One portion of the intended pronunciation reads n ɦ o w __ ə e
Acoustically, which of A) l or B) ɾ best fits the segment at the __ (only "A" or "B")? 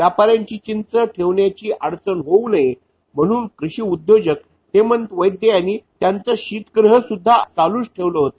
A